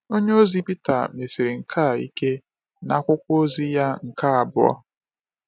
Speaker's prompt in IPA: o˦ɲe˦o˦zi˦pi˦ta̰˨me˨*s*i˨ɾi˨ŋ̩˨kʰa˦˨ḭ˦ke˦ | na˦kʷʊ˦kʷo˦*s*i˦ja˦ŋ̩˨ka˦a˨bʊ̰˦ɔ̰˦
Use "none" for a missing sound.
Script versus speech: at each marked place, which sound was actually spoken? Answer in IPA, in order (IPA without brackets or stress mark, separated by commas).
s, z